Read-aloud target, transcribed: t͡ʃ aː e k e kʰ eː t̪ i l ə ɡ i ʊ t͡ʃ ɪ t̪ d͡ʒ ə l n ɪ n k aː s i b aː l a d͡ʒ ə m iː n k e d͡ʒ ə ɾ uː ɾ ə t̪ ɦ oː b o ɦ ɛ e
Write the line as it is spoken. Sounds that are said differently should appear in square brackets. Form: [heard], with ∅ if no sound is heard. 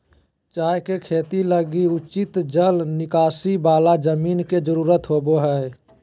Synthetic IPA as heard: t͡ʃ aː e k e kʰ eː t̪ i l ə ɡ i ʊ t͡ʃ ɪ t̪ d͡ʒ ə l n ɪ [∅] k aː s i b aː l a d͡ʒ ə m iː n k e d͡ʒ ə ɾ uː ɾ ə t̪ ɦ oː b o ɦ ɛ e